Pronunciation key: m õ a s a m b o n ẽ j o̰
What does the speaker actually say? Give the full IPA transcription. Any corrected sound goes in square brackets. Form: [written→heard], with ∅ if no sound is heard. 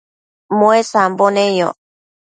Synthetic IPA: m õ [a→e] s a m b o n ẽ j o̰